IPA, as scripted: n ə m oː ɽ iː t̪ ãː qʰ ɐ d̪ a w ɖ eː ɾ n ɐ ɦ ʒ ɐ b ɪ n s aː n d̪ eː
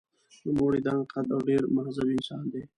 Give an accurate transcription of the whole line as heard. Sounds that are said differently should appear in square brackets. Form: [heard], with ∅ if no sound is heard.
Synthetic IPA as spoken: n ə m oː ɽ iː [d̪] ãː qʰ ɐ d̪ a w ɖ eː ɾ [m] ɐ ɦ [z] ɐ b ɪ n s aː n d̪ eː